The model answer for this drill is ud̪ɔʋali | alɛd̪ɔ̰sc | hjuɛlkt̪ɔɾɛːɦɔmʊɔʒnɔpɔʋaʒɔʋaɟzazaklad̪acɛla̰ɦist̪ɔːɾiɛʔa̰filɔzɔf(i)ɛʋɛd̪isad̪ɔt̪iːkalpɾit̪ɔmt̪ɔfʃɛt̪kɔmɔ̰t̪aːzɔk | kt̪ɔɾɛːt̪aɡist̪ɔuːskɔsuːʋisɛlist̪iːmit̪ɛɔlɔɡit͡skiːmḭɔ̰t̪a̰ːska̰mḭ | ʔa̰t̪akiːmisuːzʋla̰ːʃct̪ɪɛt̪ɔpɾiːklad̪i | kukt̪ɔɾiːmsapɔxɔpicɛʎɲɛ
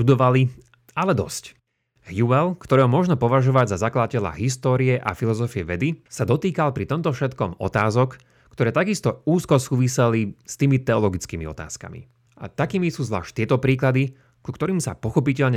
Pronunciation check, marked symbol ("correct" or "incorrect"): correct